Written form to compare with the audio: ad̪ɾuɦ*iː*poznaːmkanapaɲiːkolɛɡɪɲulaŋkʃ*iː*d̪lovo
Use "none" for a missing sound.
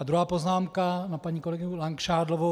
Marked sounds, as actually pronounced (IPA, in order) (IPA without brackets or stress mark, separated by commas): aː, aː